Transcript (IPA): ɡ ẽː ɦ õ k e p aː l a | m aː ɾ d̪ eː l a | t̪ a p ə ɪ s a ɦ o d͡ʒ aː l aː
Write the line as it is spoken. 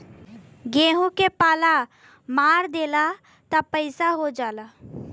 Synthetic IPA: ɡ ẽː ɦ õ k e p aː l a | m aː ɾ d̪ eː l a | t̪ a p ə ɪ s a ɦ o d͡ʒ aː l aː

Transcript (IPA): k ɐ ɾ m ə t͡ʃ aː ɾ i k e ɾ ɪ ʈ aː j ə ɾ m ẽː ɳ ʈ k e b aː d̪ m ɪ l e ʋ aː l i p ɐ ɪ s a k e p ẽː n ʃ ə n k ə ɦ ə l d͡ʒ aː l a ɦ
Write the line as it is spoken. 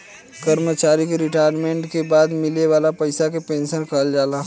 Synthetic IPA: k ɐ ɾ m ə t͡ʃ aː ɾ i k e ɾ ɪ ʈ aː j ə ɾ m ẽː ɳ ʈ k e b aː d̪ m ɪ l e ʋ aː l a p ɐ ɪ s a k e p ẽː n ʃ ə n k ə ɦ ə l d͡ʒ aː l a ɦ

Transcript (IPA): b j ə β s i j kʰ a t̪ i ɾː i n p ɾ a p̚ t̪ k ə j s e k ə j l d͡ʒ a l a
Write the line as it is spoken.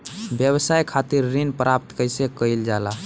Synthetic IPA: b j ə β s a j kʰ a t̪ i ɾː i n p ɾ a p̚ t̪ k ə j s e k ə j l d͡ʒ a l a

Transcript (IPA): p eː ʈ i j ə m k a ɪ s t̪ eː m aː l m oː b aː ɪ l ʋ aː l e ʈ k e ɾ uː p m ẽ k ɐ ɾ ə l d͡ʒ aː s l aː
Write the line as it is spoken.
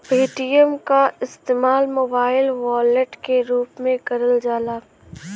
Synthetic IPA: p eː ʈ i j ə m k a ɪ s t̪ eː m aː l m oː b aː ɪ l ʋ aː l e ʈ k e ɾ uː p m ẽ k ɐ ɾ ə l d͡ʒ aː l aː

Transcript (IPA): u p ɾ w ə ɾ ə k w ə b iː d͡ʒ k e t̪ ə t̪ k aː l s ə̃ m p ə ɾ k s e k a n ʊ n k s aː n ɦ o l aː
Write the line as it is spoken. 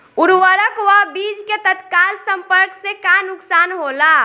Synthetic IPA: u ɾ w ə ɾ ə k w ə b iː d͡ʒ k e t̪ ə t̪ k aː l s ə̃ m p ə ɾ k s e k a n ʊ k s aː n ɦ o l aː

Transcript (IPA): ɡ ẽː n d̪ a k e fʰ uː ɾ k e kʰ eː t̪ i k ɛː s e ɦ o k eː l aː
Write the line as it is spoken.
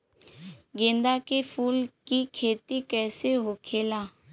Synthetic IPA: ɡ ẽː n d̪ a k e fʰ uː l k i kʰ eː t̪ i k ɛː s e ɦ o kʰ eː l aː

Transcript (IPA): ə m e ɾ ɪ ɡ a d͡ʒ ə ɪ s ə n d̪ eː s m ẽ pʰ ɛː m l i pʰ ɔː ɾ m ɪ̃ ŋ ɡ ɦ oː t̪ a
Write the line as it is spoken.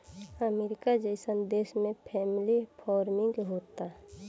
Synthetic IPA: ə m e ɾ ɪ k a d͡ʒ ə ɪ s ə n d̪ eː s m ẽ pʰ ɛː m l i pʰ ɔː ɾ m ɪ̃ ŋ ɡ ɦ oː t̪ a

